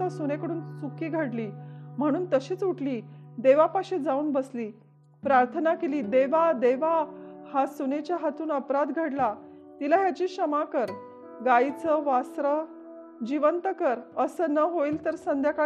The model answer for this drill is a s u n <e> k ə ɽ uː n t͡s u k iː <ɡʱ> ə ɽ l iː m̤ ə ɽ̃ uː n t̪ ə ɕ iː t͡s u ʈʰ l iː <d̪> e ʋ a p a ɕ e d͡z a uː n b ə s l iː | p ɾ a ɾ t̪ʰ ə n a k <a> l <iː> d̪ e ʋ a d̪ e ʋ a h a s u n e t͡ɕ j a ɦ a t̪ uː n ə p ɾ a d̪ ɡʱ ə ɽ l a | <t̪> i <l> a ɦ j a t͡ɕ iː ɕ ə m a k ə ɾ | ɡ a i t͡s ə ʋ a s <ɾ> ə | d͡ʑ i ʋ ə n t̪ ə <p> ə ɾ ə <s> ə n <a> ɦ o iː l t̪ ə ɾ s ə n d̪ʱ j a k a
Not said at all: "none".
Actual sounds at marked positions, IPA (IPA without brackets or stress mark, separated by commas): e, ɡʱ, d̪, e, iː, t̪, l, ɾ, k, s, ə